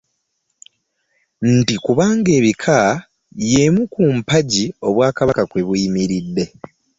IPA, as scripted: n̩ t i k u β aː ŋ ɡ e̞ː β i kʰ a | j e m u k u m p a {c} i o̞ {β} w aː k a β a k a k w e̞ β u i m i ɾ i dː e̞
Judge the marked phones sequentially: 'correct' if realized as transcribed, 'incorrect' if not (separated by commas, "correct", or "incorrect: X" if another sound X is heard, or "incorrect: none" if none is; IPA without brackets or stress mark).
incorrect: ɟ, correct